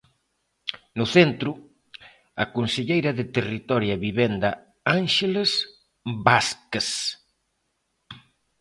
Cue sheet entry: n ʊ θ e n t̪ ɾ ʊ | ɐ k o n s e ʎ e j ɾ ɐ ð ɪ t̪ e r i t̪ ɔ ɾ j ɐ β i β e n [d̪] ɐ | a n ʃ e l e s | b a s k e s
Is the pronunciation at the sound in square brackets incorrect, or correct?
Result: correct